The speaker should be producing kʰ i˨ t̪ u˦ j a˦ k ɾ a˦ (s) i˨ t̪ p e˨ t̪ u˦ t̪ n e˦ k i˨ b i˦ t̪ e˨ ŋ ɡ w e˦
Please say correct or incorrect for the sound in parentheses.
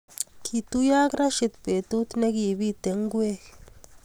incorrect